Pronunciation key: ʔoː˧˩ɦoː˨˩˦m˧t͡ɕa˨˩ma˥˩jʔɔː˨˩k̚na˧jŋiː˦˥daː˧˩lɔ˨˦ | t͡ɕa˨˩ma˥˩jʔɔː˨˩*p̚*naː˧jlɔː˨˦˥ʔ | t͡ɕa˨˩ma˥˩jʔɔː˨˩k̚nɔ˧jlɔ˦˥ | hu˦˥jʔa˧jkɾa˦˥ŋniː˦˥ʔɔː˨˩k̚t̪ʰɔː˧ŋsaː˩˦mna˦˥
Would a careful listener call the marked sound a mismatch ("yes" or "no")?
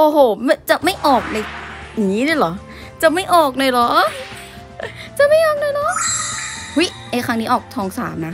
yes